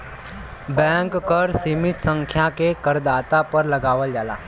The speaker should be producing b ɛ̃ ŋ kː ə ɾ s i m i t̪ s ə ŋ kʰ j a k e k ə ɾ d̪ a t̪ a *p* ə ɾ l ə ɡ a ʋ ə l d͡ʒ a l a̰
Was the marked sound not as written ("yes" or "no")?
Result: no